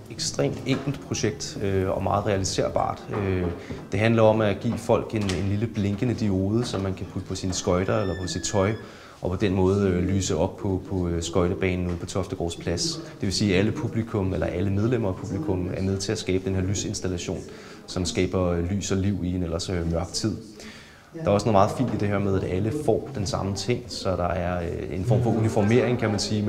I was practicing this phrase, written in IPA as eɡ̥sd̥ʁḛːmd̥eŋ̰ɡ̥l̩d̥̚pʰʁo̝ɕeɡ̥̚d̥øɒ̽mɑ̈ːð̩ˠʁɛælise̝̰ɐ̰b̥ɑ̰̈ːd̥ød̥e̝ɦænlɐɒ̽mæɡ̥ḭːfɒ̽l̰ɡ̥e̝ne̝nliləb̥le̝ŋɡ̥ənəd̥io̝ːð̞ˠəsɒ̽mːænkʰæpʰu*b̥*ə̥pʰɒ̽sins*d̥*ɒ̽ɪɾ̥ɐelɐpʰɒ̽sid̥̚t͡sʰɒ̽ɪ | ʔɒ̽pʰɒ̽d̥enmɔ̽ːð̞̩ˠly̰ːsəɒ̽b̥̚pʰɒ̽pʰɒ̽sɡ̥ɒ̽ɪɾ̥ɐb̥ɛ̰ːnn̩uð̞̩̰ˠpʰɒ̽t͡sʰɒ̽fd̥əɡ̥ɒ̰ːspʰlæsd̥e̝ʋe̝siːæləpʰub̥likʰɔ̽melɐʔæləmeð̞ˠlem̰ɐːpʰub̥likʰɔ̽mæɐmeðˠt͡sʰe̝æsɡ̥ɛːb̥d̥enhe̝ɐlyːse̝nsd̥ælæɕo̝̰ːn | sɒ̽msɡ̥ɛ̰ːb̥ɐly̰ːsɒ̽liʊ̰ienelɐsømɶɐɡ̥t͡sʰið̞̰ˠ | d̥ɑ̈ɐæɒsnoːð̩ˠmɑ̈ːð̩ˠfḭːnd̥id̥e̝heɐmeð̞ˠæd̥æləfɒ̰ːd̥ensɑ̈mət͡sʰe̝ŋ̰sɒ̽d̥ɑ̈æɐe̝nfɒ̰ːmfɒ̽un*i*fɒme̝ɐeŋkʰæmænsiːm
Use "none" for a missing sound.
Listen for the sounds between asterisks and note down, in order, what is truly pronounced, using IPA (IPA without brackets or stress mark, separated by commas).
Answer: d̥, ɡ̥, i